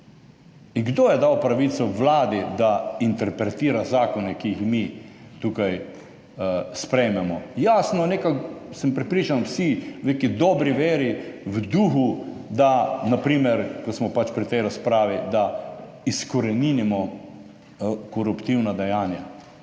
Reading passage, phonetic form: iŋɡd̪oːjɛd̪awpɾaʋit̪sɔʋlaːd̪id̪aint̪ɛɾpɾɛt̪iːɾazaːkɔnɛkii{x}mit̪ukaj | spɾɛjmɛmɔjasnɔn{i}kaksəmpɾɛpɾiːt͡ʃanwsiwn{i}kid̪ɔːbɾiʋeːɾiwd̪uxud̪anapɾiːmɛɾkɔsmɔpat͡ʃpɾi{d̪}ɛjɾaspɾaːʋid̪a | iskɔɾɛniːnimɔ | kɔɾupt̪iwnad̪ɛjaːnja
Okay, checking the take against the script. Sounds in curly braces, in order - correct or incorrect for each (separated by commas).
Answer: correct, incorrect, incorrect, incorrect